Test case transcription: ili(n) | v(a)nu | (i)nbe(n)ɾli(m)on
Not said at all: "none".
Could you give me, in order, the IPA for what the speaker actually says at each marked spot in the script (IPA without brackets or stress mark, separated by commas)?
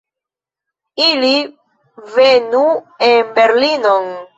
none, e, e, none, n